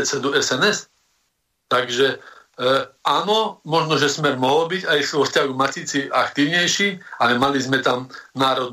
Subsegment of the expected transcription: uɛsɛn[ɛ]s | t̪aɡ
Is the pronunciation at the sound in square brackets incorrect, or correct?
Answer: correct